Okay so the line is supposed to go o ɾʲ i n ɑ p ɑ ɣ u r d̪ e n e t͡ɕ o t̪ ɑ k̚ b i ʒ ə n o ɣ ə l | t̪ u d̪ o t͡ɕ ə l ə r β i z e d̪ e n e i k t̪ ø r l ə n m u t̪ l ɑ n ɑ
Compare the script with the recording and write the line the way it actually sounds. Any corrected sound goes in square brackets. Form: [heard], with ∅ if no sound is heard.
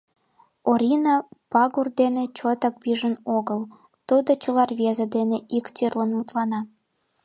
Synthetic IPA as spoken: o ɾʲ i n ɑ p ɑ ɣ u r d̪ e n e t͡ɕ o t̪ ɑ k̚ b i ʒ ə n o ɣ ə l | t̪ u d̪ o t͡ɕ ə l [ɑ] r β [e] z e d̪ e n e i k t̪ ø r l ə n m u t̪ l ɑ n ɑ